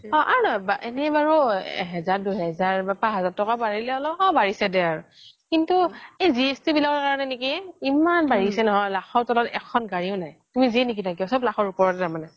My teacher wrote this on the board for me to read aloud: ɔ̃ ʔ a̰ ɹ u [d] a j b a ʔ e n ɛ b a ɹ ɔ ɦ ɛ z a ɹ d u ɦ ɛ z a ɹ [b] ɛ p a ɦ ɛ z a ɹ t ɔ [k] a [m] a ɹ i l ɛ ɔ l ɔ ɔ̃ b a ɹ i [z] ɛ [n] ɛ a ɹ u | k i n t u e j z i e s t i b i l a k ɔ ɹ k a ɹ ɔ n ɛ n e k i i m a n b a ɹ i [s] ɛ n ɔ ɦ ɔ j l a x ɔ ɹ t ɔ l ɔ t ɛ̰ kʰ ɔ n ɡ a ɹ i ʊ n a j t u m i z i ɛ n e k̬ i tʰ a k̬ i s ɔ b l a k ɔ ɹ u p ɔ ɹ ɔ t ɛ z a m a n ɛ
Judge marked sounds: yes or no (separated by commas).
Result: no, yes, yes, no, no, no, yes